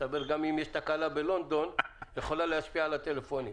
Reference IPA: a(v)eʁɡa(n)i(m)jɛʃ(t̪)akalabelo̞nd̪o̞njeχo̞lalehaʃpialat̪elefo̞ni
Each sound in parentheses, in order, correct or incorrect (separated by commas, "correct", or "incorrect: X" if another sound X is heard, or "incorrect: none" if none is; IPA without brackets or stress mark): incorrect: b, incorrect: m, correct, correct